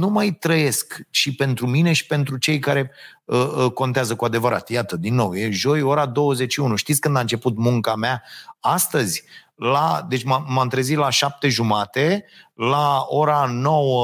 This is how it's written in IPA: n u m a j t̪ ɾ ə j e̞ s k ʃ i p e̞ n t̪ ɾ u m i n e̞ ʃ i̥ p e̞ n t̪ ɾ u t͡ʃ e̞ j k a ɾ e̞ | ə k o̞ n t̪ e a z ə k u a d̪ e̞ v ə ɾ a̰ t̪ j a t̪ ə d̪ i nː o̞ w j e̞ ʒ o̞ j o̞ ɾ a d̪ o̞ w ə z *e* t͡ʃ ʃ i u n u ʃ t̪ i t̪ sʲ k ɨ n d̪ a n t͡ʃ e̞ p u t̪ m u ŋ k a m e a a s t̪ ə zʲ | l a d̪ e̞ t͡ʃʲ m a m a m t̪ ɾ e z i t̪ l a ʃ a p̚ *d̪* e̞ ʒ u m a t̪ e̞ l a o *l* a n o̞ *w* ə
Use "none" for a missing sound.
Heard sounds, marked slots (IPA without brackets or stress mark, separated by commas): e, t̪, ɾ, w